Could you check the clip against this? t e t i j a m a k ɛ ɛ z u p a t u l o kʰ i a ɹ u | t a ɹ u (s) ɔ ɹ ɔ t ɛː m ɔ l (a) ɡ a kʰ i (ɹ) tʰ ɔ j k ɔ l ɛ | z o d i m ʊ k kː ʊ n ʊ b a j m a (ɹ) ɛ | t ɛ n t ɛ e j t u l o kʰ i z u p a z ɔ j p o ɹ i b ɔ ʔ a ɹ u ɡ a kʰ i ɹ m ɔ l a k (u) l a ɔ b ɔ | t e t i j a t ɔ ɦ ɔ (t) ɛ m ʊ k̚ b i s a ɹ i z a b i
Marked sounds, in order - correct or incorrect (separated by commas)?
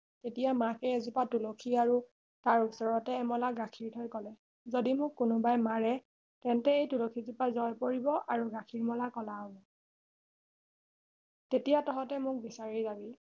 correct, correct, correct, correct, incorrect, correct